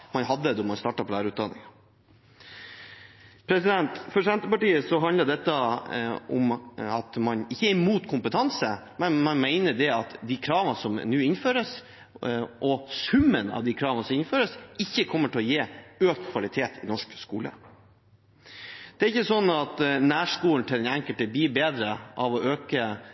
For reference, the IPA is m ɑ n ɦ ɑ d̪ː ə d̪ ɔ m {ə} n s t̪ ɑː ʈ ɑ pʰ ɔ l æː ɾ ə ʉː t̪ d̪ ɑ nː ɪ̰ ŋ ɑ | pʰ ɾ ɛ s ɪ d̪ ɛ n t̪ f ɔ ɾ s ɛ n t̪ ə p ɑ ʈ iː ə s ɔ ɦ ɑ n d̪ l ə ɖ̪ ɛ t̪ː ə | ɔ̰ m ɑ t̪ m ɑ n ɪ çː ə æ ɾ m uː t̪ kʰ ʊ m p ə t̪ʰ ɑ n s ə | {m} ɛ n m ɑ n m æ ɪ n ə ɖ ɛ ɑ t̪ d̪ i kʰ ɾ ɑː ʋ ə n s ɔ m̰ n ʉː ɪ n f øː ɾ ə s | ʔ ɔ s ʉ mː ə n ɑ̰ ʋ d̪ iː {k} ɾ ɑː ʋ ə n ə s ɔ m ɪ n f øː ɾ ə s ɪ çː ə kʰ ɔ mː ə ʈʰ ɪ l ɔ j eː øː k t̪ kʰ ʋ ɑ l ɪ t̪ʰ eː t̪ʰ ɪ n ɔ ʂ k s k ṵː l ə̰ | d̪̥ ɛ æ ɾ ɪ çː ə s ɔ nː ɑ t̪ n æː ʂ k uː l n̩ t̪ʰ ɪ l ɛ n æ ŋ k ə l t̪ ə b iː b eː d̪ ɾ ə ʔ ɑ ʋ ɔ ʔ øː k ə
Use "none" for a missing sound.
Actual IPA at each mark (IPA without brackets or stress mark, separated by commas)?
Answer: ɑ, m, kʰ